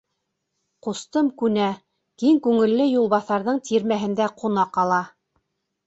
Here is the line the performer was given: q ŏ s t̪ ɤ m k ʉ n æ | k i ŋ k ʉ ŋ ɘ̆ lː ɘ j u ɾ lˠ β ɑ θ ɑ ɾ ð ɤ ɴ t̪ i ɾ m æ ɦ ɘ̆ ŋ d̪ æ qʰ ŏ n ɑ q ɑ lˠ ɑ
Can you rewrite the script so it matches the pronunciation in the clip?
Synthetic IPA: q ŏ s t̪ ɤ m k ʉ n æ | k i ŋ k ʉ ŋ ɘ̆ lː ɘ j u lˠ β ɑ θ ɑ ɾ ð ɤ ɴ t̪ i ɾ m æ ɦ ɘ̆ n d̪ æ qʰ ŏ n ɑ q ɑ lˠ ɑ